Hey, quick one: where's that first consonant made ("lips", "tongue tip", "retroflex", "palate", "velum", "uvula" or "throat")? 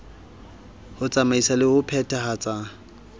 throat